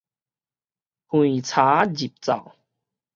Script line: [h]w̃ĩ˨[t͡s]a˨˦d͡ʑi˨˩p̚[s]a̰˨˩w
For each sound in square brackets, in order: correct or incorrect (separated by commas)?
correct, incorrect, incorrect